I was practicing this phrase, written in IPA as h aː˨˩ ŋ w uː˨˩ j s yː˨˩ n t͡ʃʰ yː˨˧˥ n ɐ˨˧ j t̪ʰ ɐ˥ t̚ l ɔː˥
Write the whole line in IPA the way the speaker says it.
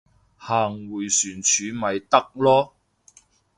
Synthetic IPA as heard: h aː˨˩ ŋ w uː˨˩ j s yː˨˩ n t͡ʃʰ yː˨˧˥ m ɐ˨˧ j t̪ ɐ˥ k̚ l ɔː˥